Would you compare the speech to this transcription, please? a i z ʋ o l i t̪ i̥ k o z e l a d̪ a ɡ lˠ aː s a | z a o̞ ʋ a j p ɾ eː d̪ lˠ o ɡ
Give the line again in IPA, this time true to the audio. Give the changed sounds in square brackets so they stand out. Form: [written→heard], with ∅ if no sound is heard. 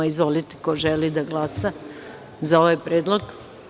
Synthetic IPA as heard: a i z ʋ o l i t̪ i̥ k o [z→ʒ] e l [a→i] d̪ a ɡ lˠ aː s a | z a o̞ ʋ a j p ɾ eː d̪ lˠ o ɡ